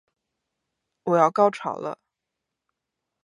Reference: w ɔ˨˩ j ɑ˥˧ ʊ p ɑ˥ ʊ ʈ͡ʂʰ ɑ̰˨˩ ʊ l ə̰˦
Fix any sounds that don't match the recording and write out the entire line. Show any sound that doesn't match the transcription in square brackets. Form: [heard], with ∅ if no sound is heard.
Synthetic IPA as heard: w ɔ˨˩ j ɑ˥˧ ʊ [k] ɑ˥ ʊ ʈ͡ʂʰ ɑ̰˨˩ ʊ l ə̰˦